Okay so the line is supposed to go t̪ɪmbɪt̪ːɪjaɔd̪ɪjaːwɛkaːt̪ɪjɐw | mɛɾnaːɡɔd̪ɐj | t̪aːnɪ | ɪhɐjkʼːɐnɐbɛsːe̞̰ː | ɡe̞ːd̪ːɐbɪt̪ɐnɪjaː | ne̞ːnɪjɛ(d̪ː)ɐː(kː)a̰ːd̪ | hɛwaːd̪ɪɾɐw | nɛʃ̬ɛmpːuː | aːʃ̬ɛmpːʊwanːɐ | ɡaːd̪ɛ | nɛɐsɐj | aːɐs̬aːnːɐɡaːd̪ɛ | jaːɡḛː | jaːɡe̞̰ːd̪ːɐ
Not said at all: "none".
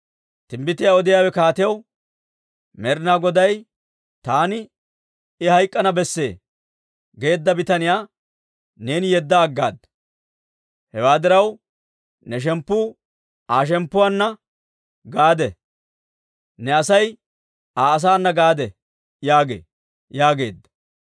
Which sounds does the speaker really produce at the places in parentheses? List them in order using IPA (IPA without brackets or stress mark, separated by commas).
d̪ː, ɡː